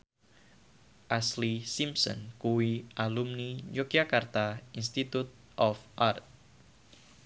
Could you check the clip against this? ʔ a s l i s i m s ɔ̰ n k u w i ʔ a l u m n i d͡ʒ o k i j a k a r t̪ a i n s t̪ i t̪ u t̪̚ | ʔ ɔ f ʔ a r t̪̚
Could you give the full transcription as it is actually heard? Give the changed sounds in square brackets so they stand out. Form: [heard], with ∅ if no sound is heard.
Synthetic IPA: ʔ a s l i s i m s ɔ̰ n k u w i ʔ a l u m n i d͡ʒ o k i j a k a r t̪ a i n s t̪ i t̪ u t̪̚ | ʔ ɔ f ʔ a r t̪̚